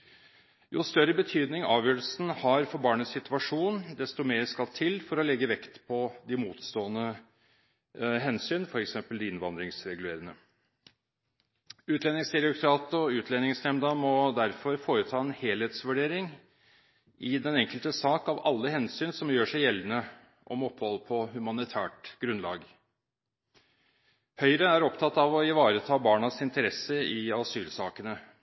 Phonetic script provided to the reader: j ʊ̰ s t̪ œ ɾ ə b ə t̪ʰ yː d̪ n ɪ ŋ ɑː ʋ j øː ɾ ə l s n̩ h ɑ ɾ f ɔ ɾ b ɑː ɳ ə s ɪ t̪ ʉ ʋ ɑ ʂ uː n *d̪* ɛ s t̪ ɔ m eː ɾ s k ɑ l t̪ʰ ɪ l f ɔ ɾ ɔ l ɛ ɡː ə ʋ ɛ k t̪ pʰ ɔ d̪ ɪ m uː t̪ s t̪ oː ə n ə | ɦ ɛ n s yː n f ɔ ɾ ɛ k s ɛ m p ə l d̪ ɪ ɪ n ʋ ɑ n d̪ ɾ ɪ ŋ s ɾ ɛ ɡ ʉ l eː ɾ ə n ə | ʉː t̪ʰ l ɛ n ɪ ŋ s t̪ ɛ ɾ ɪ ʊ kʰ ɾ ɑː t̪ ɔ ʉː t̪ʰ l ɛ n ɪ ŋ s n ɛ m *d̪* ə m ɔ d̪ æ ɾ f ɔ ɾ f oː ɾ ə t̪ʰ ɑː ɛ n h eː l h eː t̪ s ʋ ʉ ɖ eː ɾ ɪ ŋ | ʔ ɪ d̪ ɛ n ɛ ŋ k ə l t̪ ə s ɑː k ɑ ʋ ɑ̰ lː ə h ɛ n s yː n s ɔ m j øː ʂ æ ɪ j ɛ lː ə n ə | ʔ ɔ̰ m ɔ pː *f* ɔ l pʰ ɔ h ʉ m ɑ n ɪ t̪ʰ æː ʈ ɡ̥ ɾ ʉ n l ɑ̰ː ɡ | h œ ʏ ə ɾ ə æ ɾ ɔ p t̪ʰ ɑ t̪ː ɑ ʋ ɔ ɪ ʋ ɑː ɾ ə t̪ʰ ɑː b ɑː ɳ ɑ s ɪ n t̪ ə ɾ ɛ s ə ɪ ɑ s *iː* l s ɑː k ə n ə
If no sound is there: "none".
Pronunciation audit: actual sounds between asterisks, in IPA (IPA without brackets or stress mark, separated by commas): d̪, d̪, h, yː